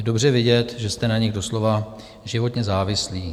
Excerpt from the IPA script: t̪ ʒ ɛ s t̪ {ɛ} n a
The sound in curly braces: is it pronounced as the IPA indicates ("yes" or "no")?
yes